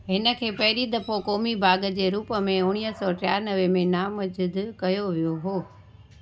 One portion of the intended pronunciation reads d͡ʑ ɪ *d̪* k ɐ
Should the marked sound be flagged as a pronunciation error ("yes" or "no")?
no